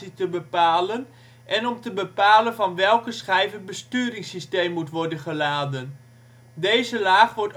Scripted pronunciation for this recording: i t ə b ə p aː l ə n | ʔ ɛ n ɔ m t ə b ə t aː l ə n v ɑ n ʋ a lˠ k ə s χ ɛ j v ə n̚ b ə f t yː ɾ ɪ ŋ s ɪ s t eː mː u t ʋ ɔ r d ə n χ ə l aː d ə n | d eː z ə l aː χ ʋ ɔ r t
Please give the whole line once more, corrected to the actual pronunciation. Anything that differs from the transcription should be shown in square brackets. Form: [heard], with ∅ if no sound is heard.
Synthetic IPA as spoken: i t ə b ə p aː l ə n | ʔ ɛ n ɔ m t ə b ə [p] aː l ə n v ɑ n ʋ [ɛ] lˠ k ə s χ ɛ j v ə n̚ b ə [s] t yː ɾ ɪ ŋ s [i] s t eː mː u t ʋ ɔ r d ə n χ ə l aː d ə n | d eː z ə l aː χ ʋ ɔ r t